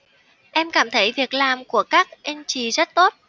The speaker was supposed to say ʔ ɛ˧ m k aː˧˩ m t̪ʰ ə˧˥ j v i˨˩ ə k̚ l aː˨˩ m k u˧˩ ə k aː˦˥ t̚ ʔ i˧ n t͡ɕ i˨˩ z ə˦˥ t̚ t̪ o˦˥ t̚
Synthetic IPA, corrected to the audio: ʔ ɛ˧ m k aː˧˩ m t̪ʰ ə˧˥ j v i˨˩ ə k̚ l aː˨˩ m k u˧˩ ə k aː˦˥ k̚ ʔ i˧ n t͡ɕ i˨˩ z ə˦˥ t̚ t̪ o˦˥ t̚